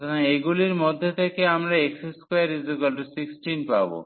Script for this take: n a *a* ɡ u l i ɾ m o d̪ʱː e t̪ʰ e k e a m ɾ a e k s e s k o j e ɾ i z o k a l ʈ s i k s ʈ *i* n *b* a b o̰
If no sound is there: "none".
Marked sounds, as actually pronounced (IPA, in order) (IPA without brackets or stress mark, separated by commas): e, i, p